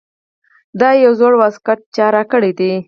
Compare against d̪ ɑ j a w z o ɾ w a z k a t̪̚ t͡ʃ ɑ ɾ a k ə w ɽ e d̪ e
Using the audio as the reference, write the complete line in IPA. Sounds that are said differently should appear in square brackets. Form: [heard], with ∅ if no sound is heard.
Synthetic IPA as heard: d̪ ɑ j a w z o [ɽ] w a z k a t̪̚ t͡ʃ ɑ ɾ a k ə [∅] ɽ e d̪ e